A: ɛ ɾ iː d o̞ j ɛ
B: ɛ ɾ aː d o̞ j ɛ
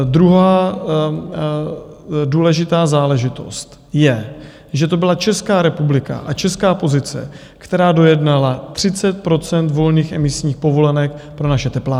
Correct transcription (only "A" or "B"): B